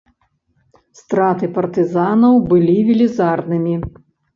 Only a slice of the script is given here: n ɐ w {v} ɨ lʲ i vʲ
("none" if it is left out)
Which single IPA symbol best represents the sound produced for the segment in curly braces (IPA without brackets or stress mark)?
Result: b